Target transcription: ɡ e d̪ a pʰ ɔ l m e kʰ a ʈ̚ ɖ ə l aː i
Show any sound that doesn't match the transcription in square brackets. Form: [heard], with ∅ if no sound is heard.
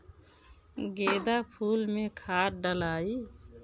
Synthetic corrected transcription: ɡ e d̪ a pʰ [u] l m e kʰ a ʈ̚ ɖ ə l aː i